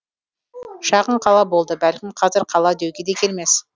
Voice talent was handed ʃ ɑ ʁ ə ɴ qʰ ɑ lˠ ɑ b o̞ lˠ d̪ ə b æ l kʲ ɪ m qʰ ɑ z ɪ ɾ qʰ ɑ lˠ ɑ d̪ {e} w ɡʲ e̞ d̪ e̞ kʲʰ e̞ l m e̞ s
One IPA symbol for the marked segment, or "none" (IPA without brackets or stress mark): e